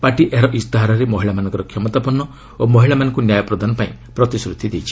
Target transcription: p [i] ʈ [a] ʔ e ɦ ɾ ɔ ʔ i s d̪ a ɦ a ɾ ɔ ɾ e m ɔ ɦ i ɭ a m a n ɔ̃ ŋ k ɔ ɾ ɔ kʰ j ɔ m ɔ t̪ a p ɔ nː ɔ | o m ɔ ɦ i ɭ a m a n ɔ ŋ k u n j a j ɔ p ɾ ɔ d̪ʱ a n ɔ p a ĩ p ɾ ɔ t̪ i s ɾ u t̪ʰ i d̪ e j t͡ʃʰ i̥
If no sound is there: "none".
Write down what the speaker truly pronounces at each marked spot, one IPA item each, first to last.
a, i

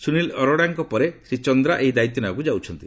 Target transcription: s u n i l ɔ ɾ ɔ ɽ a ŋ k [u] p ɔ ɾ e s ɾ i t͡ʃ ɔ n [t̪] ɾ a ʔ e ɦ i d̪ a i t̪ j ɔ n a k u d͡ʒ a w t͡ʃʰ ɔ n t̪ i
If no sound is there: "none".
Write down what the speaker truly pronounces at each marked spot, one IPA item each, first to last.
ɔ, d̪

